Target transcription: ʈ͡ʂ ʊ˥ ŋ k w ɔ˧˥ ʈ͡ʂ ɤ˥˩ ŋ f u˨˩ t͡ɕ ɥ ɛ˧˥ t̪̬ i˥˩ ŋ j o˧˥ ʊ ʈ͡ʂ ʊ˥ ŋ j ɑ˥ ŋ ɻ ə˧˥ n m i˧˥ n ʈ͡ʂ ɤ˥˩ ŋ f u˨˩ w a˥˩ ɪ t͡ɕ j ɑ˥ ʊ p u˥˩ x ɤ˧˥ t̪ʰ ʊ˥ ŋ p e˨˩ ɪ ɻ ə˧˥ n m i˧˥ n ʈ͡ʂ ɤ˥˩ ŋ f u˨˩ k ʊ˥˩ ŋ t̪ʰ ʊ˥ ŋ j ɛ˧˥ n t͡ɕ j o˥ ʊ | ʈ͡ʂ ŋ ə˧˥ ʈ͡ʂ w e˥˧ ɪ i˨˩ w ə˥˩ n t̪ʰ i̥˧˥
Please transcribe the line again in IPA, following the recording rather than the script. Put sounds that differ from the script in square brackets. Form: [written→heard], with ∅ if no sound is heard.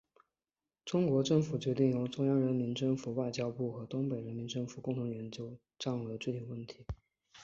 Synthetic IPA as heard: ʈ͡ʂ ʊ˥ ŋ k w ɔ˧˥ ʈ͡ʂ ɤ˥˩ ŋ f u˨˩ t͡ɕ ɥ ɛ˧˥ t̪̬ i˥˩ ŋ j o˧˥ ʊ ʈ͡ʂ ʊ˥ ŋ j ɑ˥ ŋ ɻ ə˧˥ n m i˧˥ n ʈ͡ʂ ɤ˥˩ ŋ f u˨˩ w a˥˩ ɪ t͡ɕ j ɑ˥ ʊ p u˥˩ x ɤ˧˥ [t̪ʰ→t̪] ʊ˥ ŋ p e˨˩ ɪ ɻ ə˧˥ n m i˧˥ n ʈ͡ʂ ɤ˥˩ ŋ f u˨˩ k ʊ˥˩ ŋ t̪ʰ [ʊ˥→ʊ˧˥] ŋ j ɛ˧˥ n t͡ɕ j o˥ ʊ | ʈ͡ʂ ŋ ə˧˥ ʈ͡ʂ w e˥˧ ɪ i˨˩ w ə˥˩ n t̪ʰ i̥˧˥